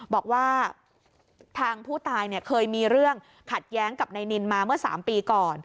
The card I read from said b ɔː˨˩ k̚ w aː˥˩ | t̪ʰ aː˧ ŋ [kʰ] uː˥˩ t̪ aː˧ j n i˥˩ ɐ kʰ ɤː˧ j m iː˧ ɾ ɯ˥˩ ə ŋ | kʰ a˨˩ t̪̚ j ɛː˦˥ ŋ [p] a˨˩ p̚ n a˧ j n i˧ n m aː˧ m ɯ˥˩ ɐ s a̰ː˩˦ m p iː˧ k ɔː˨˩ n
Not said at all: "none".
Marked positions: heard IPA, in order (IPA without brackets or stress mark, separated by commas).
pʰ, k